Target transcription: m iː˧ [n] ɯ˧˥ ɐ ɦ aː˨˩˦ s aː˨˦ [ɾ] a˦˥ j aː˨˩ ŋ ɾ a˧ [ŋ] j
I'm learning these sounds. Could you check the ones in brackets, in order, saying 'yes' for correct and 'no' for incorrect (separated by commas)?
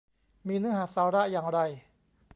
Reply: yes, yes, no